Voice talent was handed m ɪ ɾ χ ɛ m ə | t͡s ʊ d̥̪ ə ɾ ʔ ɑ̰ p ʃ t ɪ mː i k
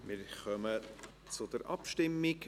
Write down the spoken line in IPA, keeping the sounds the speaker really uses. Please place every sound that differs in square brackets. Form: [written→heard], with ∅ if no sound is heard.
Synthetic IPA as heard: m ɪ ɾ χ [ɛ→œ] m ə | t͡s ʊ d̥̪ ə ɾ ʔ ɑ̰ p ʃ t ɪ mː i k